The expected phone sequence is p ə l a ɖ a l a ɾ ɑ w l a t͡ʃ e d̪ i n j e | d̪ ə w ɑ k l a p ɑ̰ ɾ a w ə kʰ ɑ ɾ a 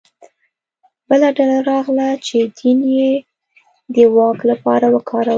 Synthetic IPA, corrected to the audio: b ə l a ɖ a l a ɾ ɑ ɣ l a t͡ʃ e d̪ i n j e | d̪ ə w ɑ k l a p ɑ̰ ɾ a w ə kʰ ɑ ɾ a